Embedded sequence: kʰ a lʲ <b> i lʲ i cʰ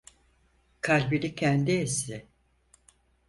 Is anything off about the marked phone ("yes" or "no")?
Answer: no